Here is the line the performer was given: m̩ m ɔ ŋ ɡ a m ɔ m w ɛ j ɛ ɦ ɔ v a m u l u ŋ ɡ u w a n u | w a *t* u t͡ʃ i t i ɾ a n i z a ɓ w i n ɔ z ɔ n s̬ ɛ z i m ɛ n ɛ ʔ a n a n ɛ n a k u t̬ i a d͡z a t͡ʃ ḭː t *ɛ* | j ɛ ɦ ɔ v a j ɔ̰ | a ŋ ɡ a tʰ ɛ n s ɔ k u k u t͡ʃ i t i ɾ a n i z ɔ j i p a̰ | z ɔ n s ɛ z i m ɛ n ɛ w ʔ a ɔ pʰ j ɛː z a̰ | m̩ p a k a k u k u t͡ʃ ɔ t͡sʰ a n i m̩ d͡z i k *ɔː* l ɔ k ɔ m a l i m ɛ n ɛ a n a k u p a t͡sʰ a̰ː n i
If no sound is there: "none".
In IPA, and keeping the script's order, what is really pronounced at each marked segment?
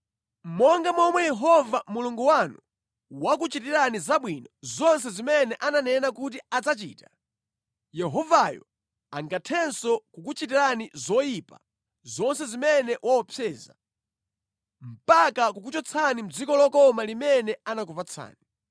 k, a, ɔ

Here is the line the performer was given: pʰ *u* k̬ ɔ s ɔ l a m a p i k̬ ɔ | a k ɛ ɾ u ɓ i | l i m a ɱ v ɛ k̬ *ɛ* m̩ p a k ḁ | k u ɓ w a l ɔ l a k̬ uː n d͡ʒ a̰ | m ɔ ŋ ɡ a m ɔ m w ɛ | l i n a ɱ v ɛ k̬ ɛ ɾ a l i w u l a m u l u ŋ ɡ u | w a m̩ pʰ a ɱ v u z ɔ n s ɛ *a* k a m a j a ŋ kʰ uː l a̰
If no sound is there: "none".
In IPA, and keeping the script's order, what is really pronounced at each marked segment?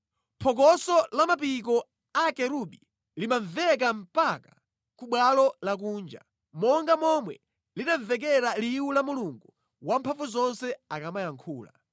ɔ, a, a

